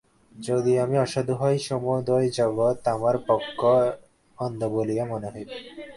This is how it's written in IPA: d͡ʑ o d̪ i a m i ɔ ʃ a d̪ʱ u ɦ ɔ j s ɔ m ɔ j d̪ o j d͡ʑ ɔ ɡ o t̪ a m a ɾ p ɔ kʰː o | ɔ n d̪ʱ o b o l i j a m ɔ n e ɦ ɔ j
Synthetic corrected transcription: d͡ʑ o d̪ i a m i ɔ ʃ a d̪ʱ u ɦ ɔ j ʃ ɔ m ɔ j d̪ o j d͡ʑ ɔ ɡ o t̪ a m a ɾ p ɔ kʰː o | ɔ n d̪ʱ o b o l i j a m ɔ n e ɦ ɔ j